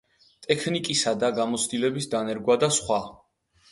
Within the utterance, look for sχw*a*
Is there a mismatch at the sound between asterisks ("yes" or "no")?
no